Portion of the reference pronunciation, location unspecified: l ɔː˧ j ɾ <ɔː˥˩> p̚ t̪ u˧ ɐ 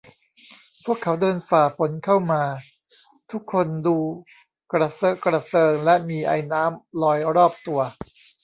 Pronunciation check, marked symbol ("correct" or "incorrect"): correct